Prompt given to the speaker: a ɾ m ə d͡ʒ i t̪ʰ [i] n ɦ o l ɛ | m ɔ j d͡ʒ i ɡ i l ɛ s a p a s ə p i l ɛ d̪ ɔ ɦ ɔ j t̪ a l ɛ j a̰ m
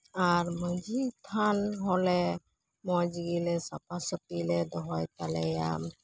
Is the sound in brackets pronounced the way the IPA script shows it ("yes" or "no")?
no